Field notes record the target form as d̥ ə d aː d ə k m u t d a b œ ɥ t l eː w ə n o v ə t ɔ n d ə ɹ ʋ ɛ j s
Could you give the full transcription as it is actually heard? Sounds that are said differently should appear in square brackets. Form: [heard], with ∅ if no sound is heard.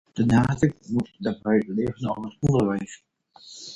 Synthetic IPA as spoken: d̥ ə [n] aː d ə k m u t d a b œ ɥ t l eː [v] ə n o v ə t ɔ n d ə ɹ ʋ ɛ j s